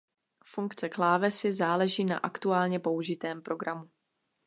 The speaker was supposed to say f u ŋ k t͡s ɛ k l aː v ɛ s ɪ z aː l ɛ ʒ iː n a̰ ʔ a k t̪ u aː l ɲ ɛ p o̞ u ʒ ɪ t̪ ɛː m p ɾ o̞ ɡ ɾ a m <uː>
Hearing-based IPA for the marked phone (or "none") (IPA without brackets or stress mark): u